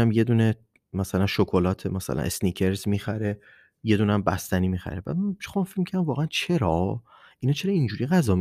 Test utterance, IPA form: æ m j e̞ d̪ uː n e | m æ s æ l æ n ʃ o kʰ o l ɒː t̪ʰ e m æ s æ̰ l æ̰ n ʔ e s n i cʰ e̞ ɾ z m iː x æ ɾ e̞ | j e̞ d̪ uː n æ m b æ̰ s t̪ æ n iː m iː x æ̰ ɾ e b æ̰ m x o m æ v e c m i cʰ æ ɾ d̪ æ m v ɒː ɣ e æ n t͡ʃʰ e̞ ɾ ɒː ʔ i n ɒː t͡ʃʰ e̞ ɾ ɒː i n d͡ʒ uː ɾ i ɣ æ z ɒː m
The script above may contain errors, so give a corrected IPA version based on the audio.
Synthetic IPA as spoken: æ m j e̞ d̪ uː n e | m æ s æ l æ n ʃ o kʰ o l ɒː t̪ʰ e m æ s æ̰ l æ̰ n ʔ e s n i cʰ e̞ ɾ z m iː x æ ɾ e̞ | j e̞ d̪ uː n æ m b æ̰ s t̪ æ n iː m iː x æ̰ ɾ e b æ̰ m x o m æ f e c m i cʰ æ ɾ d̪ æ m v ɒː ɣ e æ n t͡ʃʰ e̞ ɾ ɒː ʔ i n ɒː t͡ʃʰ e̞ ɾ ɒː i n d͡ʒ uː ɾ i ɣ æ z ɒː m